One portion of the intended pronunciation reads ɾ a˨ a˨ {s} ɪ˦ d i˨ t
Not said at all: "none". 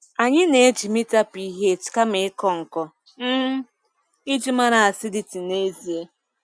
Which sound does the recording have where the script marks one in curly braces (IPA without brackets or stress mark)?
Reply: s